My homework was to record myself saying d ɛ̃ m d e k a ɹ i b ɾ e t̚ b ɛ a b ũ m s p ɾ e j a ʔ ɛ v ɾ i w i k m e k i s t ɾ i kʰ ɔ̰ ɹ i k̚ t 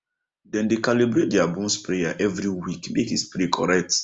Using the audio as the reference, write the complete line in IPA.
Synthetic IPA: d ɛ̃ n d e k a l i b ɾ e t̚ d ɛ a b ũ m s p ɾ e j a ʔ ɛ v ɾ i w i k m e k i s p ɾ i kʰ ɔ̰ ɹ ɛ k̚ t